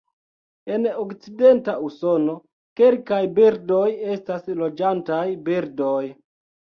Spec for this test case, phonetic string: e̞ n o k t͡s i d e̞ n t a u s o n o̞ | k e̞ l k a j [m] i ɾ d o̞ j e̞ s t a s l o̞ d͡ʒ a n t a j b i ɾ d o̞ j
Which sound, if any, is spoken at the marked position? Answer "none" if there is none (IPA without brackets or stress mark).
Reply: b